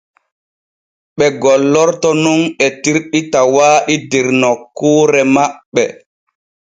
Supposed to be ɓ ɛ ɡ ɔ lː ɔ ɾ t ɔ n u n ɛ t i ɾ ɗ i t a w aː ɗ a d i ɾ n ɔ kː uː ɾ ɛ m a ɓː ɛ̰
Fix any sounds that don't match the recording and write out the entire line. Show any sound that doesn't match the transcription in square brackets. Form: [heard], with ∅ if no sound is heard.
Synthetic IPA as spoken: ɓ ɛ ɡ ɔ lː ɔ ɾ t ɔ n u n ɛ t i ɾ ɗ i t a w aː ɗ [i] d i ɾ n ɔ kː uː ɾ ɛ m a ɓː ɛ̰